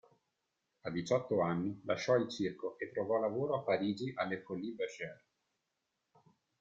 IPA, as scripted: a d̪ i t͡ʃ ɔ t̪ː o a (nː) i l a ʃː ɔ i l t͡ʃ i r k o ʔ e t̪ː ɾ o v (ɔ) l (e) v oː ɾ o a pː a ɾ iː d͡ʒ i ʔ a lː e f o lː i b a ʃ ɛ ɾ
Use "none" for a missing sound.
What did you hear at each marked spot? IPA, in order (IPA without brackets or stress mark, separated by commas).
nː, ɔ, a